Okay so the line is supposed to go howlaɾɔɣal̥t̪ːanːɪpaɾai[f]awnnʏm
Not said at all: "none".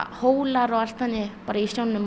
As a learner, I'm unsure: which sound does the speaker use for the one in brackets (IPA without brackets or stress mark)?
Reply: s